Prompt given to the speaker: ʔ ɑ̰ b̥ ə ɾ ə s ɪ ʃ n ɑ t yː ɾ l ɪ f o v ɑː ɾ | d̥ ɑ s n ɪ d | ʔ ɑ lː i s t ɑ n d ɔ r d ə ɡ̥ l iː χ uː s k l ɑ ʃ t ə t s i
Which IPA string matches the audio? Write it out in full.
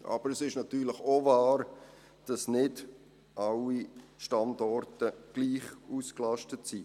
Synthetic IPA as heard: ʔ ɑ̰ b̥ ə ɾ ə s ɪ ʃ n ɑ t yː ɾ l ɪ χ o v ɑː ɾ | d̥ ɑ s n ɪ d | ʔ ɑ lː i ʃ t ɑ n d ɔ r t ə ɡ̥ l iː χ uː s k l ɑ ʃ t ə t s i